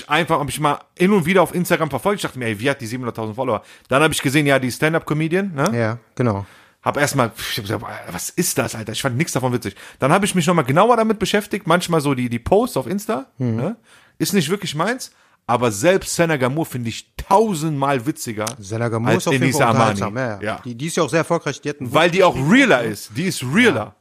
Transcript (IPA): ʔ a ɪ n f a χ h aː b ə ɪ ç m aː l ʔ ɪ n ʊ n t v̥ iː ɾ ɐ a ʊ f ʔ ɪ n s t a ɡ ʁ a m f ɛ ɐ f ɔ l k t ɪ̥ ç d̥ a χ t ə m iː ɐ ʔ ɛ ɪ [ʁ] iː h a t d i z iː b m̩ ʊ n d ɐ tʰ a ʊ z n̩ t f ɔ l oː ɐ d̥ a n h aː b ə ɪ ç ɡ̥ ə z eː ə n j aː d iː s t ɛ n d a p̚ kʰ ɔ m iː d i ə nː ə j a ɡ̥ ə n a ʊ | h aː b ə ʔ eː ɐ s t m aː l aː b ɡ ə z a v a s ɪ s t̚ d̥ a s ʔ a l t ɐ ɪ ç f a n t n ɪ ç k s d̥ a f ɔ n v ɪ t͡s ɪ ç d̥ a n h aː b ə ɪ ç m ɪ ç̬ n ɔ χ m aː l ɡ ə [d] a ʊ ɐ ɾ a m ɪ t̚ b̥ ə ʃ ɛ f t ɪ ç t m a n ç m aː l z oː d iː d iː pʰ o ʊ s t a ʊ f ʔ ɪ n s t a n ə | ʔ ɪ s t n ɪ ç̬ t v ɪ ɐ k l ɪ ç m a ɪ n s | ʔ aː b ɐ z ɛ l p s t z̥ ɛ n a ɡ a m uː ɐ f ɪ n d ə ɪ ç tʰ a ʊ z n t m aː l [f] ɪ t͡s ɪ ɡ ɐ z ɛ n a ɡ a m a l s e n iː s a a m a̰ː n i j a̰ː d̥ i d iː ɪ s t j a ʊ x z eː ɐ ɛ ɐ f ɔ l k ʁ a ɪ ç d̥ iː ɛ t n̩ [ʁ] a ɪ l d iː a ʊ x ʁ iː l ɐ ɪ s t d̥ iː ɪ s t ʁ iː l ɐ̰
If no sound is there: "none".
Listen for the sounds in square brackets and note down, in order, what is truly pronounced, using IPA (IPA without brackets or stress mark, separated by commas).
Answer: v, n, v, v